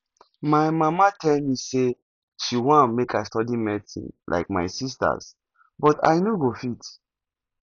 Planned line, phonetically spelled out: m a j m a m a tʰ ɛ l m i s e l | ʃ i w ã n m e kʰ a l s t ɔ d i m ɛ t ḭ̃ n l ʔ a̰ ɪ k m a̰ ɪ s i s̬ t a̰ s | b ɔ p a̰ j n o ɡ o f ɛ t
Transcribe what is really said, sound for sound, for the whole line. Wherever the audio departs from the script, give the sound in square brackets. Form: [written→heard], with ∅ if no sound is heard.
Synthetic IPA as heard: m a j m a m a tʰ ɛ l m i s e [l→∅] | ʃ i w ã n m e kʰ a [l→∅] s t ɔ d i m ɛ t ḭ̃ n l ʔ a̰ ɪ k m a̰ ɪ s i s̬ t a̰ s | b ɔ [p→t] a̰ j n o ɡ o f [ɛ→i] t

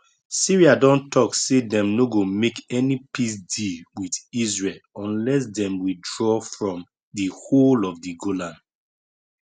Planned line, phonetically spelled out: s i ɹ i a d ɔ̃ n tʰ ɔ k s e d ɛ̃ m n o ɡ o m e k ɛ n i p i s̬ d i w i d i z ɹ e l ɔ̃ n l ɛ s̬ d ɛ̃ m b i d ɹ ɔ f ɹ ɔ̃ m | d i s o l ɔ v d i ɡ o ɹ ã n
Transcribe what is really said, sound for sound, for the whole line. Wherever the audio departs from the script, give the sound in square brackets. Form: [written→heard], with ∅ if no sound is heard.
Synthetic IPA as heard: s i ɹ i a d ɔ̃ n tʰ ɔ k s e d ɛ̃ m n o ɡ o m e k ɛ n i p i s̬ d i w i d i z ɹ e l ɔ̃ n l ɛ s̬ d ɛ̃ m [b→w] i d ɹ ɔ f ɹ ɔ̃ m | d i [s→h] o l ɔ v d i ɡ o [ɹ→l] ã n

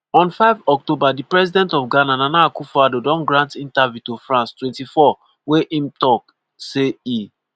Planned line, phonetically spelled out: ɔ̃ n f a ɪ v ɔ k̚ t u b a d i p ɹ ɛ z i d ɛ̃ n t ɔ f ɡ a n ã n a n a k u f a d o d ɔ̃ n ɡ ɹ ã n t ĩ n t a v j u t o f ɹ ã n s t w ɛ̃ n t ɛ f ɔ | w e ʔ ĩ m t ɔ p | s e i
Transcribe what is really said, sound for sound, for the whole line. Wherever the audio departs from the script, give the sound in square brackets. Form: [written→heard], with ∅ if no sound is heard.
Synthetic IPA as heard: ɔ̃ n f a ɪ v ɔ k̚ t [u→o] b a d i p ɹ ɛ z i d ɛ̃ n t ɔ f ɡ a n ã n a n a k u f a d o d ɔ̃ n ɡ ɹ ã n t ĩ n t a v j u t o f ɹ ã n s t w ɛ̃ n t [ɛ→i] f ɔ | w e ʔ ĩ m t ɔ [p→k] | s e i

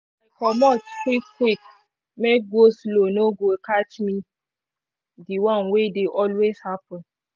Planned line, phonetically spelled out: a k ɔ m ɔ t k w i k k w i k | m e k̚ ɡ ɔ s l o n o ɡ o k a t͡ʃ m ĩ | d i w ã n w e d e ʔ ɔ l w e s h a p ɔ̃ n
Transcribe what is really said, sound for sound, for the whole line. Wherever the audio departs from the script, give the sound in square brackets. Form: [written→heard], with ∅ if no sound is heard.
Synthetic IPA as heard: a k ɔ m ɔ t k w i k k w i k | m e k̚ ɡ [ɔ→o] s l o n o ɡ o k a t͡ʃ m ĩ | d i w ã n w e d e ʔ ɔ l w e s h a p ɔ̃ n

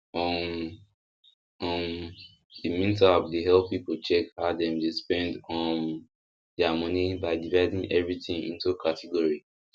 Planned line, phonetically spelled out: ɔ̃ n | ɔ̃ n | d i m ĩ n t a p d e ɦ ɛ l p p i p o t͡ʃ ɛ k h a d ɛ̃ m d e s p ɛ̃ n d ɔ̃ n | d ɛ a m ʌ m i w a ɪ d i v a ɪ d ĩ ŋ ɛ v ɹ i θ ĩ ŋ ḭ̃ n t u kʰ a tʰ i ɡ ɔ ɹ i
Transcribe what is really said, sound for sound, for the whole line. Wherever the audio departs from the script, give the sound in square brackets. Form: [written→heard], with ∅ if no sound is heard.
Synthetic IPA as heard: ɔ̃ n | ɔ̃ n | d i m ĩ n t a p d e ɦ ɛ l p p i p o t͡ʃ ɛ k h a d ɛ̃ m d e s p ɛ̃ n d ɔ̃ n | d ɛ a m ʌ [m→n] i [w→b] a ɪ d i v a ɪ d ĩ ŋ ɛ v ɹ i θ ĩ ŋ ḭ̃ n t u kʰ a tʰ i ɡ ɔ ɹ i

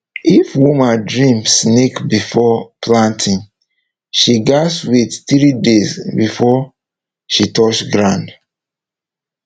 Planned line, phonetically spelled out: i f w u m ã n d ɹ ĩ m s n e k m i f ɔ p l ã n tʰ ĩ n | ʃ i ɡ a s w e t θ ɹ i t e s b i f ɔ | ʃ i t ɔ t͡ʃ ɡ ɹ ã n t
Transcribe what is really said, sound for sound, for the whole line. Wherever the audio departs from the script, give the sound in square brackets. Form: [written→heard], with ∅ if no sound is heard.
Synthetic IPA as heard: i f w u m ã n d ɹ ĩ m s n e k [m→b] i f ɔ p l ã n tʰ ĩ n | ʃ i ɡ a s w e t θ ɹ i [t→d] e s b i f ɔ | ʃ i t ɔ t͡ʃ ɡ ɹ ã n [t→d]

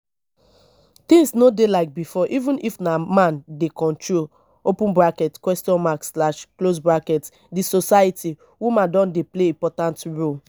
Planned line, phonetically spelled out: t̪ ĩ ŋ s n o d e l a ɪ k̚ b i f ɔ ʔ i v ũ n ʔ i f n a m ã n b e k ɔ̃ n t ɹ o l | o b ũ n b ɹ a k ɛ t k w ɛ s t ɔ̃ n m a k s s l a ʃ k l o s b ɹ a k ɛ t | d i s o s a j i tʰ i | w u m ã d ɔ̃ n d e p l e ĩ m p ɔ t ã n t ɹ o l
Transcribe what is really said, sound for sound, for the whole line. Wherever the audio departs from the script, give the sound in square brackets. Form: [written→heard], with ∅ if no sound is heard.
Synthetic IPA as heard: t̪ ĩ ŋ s n o d e l a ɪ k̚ b i f ɔ ʔ i v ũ n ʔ i f n a m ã n [b→d] e k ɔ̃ n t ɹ o l | o [b→p] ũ n b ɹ a k ɛ t k w ɛ s t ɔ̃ n m a k s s l a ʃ k l o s b ɹ a k ɛ t | d i s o s a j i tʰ i | w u m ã d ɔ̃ n d e p l e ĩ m p ɔ t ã n t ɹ o l

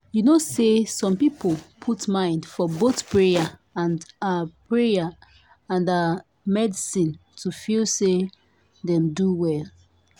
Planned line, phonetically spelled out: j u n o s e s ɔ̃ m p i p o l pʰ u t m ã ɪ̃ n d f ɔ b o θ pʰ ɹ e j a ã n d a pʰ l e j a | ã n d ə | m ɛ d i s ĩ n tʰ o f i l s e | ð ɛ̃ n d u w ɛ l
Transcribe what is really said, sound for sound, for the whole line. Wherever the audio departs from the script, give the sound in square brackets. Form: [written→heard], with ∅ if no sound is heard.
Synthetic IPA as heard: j u n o s e s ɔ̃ m p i p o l pʰ u t m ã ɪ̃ n d f ɔ b o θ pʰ ɹ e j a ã n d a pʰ [l→ɹ] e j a | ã n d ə | m ɛ d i s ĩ n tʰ [o→u] f i l s e | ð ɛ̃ [n→m] d u w ɛ l

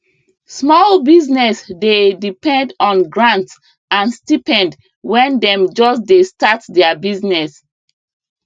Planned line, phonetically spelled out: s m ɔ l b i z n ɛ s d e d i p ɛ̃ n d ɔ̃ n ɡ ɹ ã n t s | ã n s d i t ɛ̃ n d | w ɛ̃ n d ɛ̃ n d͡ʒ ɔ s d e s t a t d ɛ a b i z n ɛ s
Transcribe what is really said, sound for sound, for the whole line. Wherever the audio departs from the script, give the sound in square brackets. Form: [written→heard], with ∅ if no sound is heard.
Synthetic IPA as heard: s m ɔ l b i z n ɛ s d e d i p ɛ̃ n d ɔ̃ n ɡ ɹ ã n t s | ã n s [d→t] i [t→p] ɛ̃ n d | w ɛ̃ n d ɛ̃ [n→m] d͡ʒ ɔ s d e s t a t d ɛ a b i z n ɛ s

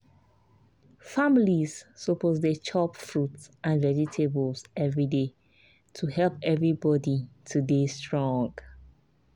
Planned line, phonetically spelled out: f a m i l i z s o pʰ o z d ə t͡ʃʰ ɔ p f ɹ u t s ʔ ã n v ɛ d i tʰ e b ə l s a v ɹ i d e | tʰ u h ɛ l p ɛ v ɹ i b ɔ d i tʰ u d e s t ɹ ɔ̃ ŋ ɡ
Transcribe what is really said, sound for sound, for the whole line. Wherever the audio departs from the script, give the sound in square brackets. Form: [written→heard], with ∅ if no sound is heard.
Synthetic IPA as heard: f a m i l i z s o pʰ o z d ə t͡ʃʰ ɔ p f ɹ u t s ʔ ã n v ɛ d i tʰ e b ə l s [a→ɛ] v ɹ i d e | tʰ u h ɛ l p ɛ v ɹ i b ɔ d i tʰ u d e s t ɹ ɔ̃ ŋ ɡ

